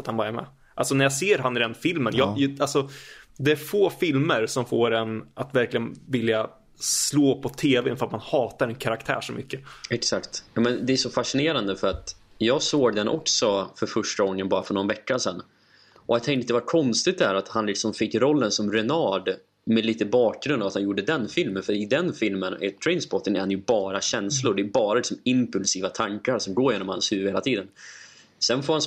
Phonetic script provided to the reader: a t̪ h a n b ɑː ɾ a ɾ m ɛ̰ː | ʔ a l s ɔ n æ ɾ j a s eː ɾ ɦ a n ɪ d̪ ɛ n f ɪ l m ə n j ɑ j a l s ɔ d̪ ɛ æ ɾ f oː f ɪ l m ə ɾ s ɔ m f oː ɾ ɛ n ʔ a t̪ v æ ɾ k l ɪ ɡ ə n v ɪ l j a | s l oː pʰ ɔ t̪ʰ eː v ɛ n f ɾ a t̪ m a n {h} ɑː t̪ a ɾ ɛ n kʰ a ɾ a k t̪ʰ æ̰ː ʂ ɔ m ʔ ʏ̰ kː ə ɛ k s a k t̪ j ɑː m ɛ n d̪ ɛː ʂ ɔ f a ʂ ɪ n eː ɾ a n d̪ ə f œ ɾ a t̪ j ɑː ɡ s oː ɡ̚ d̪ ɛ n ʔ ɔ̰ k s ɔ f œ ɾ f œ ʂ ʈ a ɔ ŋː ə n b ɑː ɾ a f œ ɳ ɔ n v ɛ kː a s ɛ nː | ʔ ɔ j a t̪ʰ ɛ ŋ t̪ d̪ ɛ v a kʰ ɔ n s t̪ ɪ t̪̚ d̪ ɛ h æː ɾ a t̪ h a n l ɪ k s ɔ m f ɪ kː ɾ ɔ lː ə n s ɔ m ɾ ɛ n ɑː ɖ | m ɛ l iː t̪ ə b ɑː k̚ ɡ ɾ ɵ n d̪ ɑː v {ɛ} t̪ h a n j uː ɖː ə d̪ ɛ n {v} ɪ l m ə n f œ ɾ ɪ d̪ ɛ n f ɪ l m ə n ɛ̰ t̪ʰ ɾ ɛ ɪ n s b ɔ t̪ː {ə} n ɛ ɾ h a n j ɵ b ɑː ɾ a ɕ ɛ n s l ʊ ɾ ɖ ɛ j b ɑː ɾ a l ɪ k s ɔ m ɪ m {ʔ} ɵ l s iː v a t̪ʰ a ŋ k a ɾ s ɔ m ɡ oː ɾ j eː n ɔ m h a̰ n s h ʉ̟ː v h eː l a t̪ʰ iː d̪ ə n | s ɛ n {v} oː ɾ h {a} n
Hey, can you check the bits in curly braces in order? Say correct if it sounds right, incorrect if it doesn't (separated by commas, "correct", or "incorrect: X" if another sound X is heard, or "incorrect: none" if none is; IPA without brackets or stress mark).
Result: correct, incorrect: a, incorrect: f, correct, incorrect: p, incorrect: f, correct